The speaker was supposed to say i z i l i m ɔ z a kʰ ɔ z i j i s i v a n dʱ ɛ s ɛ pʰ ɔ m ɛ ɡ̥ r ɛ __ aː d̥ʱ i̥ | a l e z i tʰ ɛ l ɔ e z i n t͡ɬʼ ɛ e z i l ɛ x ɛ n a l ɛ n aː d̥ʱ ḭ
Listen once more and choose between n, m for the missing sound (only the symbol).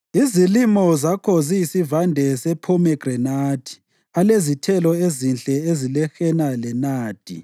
n